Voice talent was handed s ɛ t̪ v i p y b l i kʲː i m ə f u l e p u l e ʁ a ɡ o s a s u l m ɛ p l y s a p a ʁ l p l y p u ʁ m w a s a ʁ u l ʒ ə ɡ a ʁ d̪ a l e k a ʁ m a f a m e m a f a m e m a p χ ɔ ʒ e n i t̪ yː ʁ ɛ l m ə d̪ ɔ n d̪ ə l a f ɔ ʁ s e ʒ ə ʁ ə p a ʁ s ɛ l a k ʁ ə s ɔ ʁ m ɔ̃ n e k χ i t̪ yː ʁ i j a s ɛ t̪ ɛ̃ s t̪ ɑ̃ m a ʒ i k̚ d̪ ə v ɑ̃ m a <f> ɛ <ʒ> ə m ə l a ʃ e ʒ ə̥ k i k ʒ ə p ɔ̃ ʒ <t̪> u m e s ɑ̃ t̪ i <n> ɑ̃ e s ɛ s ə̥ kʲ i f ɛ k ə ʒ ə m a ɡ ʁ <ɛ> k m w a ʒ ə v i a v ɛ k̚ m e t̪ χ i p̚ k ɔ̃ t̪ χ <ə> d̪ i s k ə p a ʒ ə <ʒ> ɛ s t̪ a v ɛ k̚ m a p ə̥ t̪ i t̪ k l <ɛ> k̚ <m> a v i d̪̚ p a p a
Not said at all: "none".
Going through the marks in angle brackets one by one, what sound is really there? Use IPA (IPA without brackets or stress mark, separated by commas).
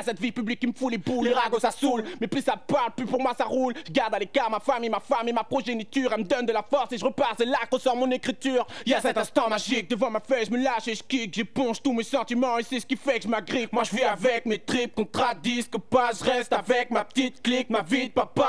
f, ʒ, t̪, m, i, a, ʁ, i, m